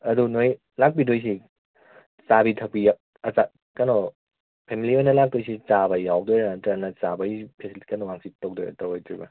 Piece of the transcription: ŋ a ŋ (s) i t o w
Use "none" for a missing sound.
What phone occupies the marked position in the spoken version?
s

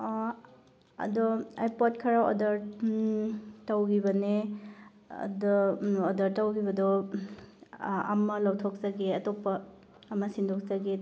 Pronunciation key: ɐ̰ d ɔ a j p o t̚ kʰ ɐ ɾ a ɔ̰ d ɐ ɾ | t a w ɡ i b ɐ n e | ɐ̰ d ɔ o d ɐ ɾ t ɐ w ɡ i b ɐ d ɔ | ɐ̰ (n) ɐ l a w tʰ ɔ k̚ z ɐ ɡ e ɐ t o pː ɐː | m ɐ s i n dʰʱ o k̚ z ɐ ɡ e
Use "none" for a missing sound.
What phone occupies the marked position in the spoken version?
m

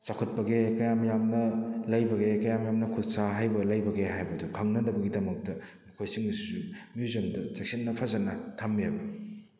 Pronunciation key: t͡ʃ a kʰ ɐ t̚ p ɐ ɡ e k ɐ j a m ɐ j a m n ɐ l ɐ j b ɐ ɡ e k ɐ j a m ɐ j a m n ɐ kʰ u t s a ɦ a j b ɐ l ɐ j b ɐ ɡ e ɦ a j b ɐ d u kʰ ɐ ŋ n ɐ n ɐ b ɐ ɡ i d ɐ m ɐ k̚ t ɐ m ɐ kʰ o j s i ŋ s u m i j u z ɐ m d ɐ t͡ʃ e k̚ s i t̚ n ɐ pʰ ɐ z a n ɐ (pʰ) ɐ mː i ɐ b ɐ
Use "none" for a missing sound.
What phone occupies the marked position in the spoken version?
tʰ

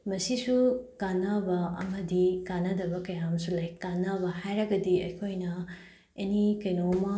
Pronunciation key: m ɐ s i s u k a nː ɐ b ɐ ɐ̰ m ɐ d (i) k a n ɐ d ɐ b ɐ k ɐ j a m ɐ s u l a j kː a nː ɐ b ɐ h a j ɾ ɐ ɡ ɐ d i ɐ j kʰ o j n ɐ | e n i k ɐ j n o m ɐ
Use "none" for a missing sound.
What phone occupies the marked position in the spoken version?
i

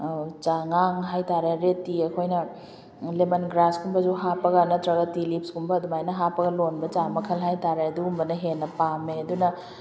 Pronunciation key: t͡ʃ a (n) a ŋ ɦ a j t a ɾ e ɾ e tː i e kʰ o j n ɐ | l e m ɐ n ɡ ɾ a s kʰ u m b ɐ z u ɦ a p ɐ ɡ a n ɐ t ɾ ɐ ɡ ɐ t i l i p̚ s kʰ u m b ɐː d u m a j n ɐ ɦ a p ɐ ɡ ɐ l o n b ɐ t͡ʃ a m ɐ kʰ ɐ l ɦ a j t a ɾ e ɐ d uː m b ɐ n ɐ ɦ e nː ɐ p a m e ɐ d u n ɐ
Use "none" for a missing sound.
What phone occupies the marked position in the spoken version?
ŋ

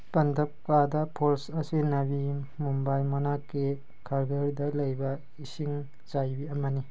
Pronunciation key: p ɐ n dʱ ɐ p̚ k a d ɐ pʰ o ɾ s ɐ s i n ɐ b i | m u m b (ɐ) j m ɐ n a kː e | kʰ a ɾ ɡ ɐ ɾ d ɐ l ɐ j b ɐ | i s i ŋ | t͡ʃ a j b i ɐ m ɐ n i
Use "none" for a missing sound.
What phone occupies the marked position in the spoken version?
a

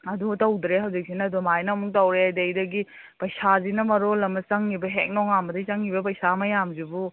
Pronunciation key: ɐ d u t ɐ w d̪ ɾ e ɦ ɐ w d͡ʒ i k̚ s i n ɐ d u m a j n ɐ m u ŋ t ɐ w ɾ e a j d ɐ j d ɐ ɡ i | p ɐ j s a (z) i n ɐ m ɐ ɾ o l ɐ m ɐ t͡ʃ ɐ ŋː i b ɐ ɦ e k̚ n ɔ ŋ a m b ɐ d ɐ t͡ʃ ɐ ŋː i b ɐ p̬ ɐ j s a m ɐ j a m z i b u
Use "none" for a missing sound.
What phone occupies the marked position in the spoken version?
z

